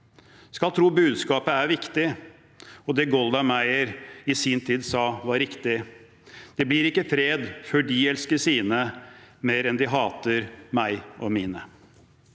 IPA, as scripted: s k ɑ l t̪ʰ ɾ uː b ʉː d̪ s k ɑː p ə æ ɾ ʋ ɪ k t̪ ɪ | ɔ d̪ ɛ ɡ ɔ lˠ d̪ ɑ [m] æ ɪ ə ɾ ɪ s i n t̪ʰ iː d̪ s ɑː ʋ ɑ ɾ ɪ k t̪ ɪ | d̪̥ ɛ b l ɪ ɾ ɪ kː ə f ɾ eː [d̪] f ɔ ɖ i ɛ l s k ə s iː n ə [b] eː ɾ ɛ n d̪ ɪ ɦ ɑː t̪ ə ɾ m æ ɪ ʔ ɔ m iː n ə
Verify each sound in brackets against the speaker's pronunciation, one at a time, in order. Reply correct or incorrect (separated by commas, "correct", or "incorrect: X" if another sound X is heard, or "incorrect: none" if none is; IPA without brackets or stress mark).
correct, correct, incorrect: m